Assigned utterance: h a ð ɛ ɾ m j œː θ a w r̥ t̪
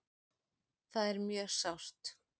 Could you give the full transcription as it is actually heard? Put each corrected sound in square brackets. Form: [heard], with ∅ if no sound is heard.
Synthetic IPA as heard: [θ] a ð ɛ ɾ m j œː [s] a w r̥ t̪